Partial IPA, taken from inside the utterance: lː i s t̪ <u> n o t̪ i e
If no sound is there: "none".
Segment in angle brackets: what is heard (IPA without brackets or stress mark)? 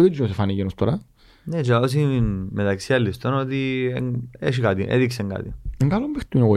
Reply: o